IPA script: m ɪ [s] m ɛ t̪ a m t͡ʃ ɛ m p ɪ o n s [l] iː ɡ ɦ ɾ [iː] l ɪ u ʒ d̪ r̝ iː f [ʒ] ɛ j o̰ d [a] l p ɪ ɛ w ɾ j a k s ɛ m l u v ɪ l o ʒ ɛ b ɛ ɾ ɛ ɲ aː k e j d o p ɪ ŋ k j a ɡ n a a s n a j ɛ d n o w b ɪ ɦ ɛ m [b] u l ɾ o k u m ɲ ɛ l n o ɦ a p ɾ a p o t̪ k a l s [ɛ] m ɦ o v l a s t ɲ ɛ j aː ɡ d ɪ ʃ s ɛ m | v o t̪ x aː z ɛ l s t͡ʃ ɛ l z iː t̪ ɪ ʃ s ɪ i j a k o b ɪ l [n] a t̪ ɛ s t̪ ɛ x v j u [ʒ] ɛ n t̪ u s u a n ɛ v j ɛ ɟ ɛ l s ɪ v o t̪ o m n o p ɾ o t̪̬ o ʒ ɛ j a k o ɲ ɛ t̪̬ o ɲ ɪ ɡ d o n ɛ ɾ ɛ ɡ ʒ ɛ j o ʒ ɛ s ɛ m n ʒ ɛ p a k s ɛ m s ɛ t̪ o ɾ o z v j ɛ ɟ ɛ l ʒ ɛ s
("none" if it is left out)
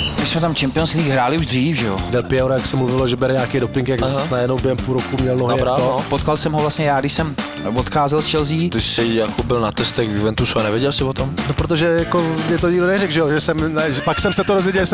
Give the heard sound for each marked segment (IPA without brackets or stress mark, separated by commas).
s, l, aː, ʒ, ɛ, p, ɛ, n, v